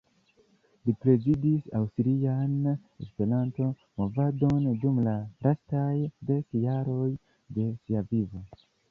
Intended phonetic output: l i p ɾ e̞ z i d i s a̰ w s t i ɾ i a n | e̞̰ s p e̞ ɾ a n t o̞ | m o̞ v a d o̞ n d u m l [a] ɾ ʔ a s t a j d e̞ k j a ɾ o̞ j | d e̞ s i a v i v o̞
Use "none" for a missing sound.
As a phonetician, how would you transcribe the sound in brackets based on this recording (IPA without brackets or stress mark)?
a